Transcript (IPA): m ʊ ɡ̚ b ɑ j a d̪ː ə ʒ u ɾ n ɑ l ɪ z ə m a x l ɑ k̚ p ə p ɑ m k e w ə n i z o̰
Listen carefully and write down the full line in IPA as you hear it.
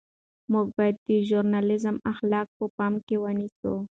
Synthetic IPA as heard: m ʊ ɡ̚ b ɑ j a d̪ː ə ʒ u ɾ n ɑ l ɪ z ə m a x l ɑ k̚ p ə p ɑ m k e w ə n i s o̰